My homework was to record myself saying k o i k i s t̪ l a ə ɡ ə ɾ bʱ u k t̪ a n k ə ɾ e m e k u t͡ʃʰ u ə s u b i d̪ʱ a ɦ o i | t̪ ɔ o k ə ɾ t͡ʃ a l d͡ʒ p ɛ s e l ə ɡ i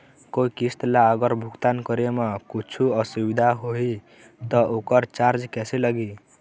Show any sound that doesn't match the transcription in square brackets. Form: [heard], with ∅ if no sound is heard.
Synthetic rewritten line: k o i k i s t̪ l a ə ɡ ə ɾ bʱ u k t̪ a n k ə ɾ e m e k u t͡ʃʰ u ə s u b i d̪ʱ a ɦ o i | t̪ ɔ o k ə ɾ t͡ʃ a [ɾ] d͡ʒ [k] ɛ s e l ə ɡ i